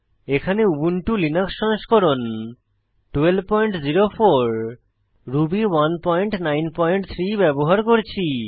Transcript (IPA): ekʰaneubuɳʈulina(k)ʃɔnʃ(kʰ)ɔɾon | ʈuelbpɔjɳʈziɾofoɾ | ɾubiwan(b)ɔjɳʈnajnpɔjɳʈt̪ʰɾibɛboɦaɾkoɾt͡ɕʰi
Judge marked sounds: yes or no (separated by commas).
yes, no, no